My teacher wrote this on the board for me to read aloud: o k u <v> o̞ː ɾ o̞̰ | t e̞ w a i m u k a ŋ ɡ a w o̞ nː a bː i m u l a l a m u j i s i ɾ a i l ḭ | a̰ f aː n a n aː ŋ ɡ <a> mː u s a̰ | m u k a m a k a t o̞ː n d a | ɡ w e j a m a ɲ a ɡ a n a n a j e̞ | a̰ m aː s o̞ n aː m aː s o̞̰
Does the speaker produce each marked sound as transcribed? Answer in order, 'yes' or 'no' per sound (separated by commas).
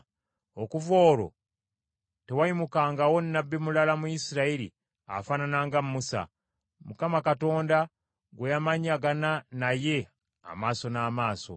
yes, yes